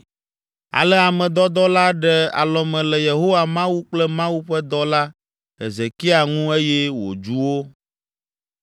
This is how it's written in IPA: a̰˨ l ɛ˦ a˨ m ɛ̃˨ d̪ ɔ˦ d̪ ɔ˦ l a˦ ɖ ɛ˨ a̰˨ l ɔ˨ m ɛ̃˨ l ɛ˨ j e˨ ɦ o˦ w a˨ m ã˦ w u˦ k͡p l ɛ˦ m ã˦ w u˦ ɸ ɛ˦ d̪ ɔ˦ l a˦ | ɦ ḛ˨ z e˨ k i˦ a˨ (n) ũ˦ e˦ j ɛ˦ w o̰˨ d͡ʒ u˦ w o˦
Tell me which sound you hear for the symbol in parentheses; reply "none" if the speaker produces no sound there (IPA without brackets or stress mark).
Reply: ŋ